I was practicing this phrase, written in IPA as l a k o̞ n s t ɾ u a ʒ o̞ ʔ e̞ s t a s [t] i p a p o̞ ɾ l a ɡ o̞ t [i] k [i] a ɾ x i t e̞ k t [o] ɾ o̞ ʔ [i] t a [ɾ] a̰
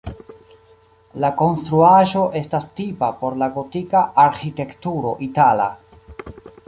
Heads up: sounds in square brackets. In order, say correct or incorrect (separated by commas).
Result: correct, correct, incorrect, incorrect, correct, incorrect